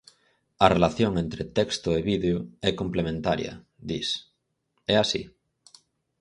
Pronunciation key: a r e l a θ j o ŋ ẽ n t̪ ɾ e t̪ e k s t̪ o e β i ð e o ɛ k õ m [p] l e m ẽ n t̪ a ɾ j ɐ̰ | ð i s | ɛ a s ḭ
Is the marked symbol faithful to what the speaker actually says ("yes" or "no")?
yes